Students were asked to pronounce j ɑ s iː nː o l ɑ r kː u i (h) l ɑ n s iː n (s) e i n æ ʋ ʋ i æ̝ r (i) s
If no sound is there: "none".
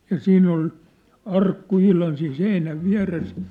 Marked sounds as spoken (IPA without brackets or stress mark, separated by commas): h, s, e